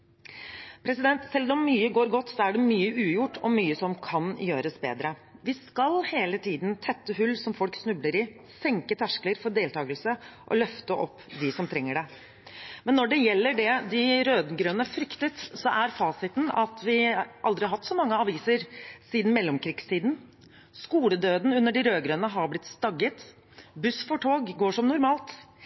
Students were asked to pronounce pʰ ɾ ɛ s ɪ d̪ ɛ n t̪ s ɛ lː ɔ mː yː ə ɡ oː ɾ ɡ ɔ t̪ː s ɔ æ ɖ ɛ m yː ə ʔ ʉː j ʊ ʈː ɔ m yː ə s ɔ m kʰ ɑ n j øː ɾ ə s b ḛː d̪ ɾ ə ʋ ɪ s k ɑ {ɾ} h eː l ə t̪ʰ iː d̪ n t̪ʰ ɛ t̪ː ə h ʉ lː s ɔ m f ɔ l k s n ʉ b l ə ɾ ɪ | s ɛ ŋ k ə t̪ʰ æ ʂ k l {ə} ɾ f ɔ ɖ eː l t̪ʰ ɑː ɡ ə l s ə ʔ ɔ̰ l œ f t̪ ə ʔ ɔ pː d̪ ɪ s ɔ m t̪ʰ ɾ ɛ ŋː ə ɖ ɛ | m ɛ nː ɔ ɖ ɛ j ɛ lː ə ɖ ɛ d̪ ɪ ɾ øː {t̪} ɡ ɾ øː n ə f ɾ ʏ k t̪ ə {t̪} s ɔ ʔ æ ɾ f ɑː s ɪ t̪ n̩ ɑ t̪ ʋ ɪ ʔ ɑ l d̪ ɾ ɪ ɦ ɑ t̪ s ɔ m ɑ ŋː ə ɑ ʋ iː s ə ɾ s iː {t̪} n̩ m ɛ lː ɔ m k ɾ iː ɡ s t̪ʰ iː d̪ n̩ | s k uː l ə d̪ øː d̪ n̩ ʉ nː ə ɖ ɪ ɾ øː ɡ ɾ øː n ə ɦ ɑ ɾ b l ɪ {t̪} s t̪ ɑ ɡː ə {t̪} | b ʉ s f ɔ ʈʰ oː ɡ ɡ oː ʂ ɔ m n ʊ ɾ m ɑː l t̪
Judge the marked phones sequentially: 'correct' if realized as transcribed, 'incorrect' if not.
incorrect: l, correct, incorrect: d̪, correct, incorrect: d̪, correct, correct

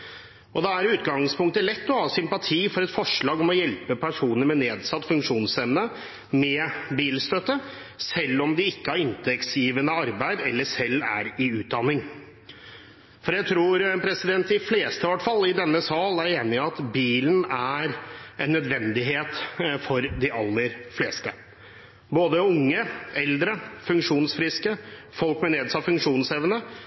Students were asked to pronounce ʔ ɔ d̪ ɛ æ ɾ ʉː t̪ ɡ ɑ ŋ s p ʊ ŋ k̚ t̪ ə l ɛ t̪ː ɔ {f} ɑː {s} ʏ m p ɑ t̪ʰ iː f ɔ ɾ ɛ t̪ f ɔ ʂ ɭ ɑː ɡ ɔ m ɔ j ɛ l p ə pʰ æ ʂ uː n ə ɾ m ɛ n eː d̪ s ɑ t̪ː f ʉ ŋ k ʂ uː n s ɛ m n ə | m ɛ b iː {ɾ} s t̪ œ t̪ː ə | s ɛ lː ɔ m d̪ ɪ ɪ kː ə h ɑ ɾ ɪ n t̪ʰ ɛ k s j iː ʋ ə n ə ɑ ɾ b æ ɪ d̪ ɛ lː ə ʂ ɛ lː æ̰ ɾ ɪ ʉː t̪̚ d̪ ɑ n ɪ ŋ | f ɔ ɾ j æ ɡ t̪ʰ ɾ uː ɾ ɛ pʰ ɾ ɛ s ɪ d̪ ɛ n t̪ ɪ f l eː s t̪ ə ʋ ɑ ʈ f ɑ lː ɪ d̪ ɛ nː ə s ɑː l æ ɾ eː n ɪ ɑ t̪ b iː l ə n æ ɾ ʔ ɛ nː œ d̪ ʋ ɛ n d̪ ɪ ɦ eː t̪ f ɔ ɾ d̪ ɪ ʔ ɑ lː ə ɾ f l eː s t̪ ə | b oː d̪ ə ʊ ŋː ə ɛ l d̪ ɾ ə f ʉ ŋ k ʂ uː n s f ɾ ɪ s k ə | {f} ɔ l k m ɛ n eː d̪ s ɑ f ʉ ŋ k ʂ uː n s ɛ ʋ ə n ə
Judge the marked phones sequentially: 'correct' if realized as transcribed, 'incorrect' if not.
incorrect: h, correct, incorrect: l, correct

